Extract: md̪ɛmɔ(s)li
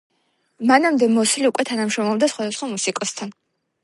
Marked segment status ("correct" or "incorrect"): correct